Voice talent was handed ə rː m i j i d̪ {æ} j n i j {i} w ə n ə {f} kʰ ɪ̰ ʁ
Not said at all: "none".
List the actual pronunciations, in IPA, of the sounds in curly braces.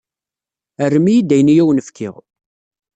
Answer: æ, æ, f

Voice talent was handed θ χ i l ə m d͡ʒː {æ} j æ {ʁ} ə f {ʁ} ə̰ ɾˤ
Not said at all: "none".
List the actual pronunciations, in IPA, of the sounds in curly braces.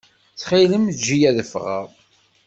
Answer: i, ð, ʁ

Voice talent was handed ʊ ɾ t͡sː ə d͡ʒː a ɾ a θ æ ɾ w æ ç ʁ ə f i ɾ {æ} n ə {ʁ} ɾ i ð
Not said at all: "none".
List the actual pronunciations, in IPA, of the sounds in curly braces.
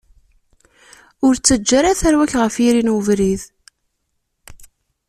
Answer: i, v

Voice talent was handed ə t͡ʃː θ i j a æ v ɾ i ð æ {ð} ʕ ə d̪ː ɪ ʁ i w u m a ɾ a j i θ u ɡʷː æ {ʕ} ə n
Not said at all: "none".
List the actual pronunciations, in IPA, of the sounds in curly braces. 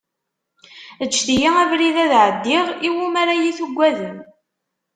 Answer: ð, ð

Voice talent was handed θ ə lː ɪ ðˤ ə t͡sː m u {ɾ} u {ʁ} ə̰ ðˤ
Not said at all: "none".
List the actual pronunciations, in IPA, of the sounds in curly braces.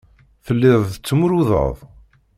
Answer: ɾ, ð

